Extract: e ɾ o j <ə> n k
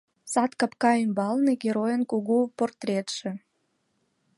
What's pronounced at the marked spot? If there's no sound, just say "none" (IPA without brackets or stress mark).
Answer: ə